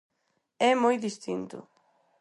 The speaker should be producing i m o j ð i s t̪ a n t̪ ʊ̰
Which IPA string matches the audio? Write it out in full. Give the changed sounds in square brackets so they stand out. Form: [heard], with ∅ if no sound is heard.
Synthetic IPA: [ɛ] m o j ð i s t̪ [i] n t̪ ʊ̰